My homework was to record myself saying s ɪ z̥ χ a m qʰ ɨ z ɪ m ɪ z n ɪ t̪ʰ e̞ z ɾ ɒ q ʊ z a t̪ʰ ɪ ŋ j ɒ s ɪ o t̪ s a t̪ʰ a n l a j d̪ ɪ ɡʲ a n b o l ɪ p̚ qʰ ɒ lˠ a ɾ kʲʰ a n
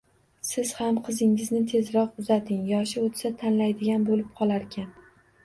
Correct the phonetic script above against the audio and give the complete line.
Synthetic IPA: s ɪ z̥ h a m qʰ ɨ z ɪ ŋ ɪ z n ɪ t̪ʰ e̞ z ɾ ɒ q ʊ z a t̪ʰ ɪ ŋ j ɒ ʃ ɪ o t̪ s a t̪ʰ a n l a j d̪ ɪ ɡʲ a n b o l ɪ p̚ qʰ ɒ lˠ a ɾ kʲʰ a n